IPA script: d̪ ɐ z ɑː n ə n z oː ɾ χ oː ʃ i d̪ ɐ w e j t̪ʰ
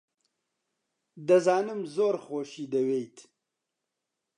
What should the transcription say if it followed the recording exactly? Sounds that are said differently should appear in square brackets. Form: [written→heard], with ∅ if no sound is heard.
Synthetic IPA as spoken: d̪ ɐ z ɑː n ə [n→m] z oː ɾ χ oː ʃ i d̪ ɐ w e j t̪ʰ